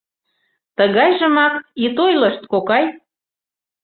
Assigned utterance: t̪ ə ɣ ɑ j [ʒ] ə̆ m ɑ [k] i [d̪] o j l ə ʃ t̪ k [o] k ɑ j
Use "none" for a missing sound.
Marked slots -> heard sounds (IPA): ʒ, k, t̪, o

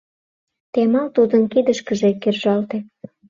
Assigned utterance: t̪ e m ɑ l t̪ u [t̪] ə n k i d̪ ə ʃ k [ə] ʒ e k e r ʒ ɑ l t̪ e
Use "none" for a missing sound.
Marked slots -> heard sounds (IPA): d̪, ə

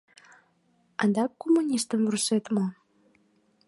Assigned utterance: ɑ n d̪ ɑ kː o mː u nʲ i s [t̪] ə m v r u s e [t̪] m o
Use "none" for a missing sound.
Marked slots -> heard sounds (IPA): t̪, t̪

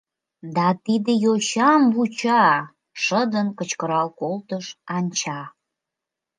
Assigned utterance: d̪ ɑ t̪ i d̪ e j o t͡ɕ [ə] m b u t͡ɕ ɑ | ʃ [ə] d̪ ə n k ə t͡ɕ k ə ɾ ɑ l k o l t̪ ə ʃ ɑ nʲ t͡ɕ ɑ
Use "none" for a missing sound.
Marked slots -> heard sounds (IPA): ɑ, ə

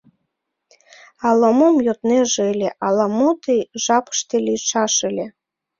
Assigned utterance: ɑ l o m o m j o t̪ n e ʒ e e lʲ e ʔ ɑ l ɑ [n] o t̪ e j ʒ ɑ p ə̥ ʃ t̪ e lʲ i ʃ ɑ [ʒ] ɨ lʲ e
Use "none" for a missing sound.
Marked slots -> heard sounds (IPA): m, ʃ

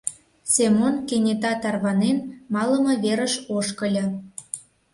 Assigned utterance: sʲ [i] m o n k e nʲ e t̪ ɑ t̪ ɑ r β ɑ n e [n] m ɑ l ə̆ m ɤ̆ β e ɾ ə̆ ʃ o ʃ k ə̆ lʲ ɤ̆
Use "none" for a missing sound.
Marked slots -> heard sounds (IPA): e, n

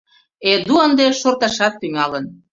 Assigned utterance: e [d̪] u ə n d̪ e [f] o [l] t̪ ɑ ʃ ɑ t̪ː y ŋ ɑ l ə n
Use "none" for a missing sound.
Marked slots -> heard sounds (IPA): d̪, ʃ, r

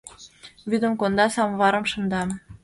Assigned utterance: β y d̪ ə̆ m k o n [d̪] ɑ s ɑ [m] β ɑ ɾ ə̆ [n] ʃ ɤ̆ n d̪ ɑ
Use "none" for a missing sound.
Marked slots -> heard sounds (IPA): d̪, m, m

